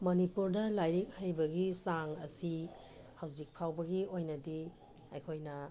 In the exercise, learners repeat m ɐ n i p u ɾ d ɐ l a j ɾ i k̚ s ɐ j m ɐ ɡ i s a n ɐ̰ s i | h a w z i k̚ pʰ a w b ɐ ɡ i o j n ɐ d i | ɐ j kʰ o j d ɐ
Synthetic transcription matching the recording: m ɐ n i p u ɾ d ɐ l a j ɾ i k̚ h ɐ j b ɐ ɡ i s a ŋ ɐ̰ s i | h a w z i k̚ pʰ a w b ɐ ɡ i o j n ɐ d i | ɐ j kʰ o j n ɐ